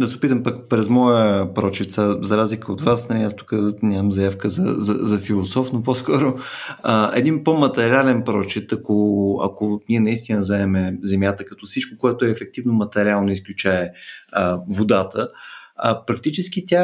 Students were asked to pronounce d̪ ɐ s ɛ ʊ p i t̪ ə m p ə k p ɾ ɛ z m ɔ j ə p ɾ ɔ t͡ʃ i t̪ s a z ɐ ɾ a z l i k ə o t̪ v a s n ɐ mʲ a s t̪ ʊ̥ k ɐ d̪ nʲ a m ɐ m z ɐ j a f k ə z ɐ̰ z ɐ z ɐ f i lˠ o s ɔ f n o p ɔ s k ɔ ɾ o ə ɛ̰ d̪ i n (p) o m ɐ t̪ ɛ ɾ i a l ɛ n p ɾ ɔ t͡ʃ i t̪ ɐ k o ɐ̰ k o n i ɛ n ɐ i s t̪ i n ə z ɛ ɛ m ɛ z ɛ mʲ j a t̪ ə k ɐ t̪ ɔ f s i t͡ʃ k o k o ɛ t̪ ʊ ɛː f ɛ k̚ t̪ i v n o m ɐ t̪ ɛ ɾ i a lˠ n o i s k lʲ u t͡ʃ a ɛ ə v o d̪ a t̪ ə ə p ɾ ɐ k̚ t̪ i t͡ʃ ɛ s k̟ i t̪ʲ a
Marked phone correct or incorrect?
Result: correct